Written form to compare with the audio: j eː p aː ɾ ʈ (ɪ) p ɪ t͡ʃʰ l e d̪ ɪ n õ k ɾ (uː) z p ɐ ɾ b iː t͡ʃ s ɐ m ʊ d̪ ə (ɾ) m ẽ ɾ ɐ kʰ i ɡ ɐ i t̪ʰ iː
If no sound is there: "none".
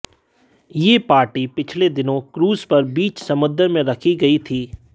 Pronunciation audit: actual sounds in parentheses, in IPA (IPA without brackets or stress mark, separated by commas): i, uː, ɾ